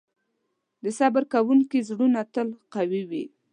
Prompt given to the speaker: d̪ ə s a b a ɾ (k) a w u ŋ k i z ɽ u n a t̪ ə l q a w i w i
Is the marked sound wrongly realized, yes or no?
no